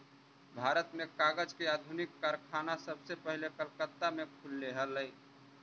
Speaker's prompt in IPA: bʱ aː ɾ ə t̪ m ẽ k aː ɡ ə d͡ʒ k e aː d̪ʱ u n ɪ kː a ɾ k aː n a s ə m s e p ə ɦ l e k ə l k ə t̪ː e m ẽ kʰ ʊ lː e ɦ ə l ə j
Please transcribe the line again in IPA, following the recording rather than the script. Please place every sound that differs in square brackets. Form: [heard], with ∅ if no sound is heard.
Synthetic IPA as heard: bʱ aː ɾ ə t̪ m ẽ k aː ɡ ə d͡ʒ k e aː d̪ʱ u n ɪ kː a ɾ [kʰ] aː n a s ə [b] s e p ə ɦ l e k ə l k ə t̪ː [a] m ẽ kʰ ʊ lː e ɦ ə l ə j